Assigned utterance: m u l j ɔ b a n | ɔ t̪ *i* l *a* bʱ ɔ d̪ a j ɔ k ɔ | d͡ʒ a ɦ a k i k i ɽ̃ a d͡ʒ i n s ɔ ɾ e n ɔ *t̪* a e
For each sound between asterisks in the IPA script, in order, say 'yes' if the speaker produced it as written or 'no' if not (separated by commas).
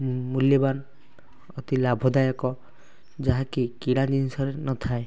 yes, yes, no